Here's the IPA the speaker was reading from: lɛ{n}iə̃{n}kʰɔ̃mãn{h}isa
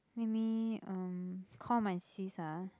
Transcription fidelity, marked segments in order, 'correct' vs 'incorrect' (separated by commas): incorrect, incorrect, incorrect